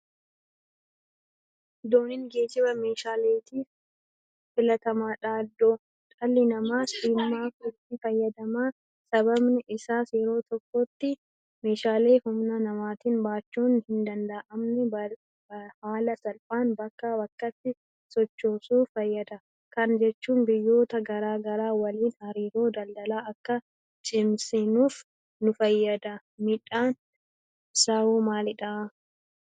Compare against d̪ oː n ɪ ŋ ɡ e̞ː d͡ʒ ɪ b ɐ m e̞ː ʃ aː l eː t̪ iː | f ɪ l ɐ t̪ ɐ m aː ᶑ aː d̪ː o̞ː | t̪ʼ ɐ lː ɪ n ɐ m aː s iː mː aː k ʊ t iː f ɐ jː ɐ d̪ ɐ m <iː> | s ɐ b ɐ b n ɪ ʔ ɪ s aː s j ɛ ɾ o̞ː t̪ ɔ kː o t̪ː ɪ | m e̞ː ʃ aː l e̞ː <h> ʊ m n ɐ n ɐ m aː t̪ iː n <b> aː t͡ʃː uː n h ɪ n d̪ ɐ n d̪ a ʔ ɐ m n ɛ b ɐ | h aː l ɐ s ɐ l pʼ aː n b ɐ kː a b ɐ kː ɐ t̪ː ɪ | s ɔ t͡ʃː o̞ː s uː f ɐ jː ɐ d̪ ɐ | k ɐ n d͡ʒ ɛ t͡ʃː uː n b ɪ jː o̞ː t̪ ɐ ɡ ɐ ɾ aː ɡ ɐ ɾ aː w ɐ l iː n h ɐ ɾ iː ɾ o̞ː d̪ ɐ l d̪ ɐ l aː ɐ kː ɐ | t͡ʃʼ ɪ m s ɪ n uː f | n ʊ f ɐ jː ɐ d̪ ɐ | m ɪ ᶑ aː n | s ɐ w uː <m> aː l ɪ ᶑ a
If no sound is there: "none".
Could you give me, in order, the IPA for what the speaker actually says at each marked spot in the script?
aː, h, b, m

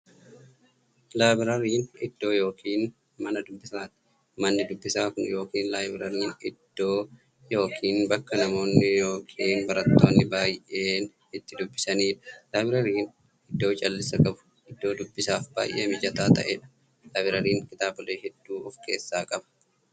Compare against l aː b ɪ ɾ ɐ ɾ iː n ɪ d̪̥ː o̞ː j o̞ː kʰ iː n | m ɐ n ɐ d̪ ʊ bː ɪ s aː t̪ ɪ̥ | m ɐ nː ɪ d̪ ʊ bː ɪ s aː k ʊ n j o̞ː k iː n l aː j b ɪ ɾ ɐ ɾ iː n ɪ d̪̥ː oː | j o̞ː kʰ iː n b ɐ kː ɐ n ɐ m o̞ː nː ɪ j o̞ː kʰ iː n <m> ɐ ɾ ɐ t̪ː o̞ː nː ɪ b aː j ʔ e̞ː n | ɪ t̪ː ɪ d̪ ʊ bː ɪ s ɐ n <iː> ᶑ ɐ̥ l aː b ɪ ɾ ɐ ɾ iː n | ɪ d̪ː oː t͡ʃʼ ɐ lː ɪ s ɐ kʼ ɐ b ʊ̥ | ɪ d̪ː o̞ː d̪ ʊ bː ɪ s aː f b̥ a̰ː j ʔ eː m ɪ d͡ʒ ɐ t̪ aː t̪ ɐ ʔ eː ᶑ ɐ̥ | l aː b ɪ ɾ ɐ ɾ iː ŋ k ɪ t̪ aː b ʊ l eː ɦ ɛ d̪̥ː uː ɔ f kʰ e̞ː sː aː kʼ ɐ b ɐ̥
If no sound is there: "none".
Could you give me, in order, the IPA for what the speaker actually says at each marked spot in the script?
b, iː

